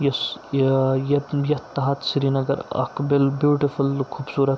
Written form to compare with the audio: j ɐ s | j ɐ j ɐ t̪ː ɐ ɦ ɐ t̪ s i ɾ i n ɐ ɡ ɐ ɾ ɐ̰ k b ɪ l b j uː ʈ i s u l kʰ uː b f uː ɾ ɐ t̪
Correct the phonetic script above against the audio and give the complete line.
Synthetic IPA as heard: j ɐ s | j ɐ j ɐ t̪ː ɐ ɦ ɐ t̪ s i ɾ i n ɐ ɡ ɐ ɾ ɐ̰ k b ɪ l b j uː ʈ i f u l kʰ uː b s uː ɾ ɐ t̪